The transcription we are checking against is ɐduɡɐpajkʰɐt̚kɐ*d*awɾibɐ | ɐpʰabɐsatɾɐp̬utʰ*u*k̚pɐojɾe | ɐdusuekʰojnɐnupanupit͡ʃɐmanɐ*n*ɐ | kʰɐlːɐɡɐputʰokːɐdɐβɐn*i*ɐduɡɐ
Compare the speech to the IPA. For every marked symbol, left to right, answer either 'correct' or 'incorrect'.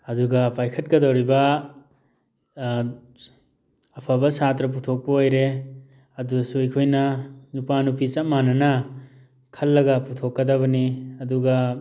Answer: correct, incorrect, correct, correct

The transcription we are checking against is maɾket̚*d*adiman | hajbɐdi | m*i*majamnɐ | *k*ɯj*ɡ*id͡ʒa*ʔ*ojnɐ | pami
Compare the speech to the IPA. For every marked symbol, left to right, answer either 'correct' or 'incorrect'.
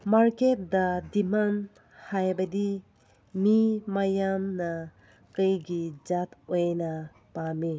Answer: correct, correct, correct, correct, incorrect

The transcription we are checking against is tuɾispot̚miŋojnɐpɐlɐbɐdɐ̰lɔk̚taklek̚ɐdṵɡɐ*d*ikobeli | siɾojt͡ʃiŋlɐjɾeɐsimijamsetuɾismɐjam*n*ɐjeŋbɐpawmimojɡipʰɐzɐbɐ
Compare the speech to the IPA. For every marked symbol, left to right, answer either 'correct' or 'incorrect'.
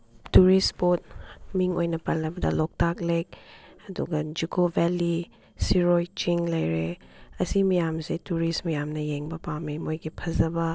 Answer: incorrect, correct

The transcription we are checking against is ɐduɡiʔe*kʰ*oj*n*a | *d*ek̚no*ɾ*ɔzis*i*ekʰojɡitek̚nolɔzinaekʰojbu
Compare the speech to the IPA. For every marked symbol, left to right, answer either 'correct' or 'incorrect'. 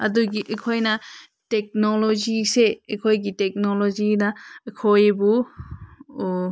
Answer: correct, correct, incorrect, incorrect, incorrect

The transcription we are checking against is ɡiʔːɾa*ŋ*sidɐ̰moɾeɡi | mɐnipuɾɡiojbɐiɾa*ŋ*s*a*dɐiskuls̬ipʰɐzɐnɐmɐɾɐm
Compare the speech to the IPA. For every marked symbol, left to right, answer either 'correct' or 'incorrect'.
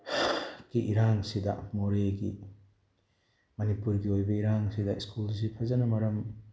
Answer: correct, correct, incorrect

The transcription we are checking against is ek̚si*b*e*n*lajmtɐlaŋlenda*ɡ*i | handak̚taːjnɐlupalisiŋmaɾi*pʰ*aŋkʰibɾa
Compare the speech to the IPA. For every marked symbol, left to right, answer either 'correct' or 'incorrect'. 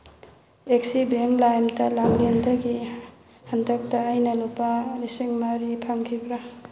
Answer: correct, incorrect, correct, correct

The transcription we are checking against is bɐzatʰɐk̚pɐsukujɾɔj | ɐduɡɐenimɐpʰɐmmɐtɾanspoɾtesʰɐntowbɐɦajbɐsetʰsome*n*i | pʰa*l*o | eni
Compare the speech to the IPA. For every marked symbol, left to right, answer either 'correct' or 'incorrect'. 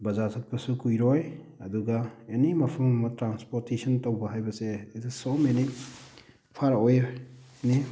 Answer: correct, incorrect

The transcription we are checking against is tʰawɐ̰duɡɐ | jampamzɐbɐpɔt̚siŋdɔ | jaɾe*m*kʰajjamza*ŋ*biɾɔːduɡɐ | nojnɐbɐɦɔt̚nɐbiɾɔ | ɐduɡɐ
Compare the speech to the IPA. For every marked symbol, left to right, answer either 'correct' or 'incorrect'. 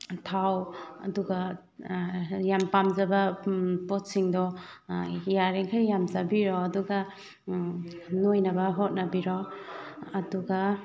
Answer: incorrect, incorrect

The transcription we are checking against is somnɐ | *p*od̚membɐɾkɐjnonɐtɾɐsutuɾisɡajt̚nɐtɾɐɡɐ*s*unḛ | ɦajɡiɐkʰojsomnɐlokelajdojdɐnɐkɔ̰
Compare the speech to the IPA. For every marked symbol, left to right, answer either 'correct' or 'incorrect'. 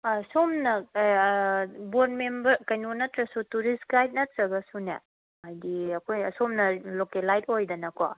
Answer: incorrect, correct

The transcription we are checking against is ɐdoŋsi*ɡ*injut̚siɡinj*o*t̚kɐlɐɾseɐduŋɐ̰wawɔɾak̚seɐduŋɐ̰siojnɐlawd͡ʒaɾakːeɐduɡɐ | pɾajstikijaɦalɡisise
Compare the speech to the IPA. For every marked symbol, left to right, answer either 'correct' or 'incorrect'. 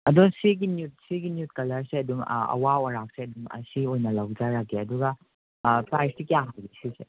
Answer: correct, incorrect

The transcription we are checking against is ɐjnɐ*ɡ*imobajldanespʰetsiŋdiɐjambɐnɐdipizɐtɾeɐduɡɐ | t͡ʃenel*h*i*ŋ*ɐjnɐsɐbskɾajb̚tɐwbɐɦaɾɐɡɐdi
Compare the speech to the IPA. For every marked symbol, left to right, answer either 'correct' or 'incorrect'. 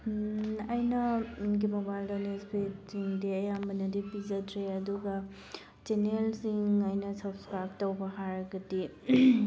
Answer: correct, incorrect, correct

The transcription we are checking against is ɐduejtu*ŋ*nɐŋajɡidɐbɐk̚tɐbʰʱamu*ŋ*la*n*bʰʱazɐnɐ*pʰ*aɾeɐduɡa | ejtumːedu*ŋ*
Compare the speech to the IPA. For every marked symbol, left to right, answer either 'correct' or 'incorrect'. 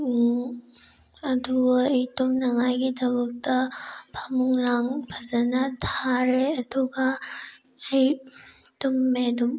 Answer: incorrect, correct, incorrect, incorrect, incorrect

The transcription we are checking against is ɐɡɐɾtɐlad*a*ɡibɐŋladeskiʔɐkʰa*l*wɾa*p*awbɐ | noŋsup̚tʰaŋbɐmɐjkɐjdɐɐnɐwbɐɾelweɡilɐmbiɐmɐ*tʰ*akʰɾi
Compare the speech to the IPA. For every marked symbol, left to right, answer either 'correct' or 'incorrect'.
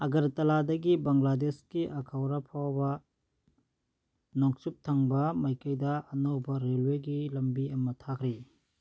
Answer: incorrect, incorrect, incorrect, correct

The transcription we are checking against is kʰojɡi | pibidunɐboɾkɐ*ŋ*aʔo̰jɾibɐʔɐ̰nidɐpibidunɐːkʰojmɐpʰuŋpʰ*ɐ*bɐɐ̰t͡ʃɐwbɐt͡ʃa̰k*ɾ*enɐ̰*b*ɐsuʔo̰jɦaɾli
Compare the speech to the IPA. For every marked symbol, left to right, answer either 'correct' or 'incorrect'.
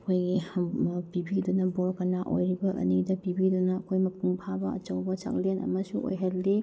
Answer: incorrect, incorrect, incorrect, incorrect

